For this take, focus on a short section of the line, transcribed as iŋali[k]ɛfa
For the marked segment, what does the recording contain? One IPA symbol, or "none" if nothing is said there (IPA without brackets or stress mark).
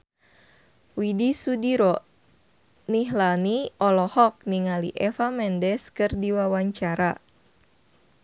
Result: ʔ